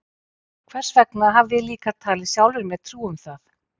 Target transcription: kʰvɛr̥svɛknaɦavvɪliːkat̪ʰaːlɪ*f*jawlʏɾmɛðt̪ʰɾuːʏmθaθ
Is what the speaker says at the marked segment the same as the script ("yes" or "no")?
no